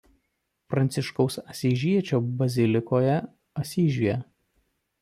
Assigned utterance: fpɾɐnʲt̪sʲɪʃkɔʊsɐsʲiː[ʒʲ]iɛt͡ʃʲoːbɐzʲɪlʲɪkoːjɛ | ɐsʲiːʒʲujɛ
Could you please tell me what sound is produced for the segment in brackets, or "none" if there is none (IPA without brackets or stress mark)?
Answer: ʒʲ